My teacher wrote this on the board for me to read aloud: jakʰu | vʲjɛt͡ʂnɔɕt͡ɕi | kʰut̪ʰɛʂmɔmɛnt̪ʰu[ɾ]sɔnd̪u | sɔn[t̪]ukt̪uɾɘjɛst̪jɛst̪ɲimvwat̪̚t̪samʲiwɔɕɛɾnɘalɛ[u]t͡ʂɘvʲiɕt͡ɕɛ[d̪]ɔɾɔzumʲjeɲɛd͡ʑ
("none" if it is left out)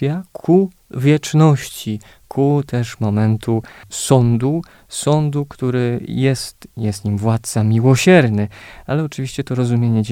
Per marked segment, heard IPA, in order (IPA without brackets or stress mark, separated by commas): none, d̪, ɔ, t̪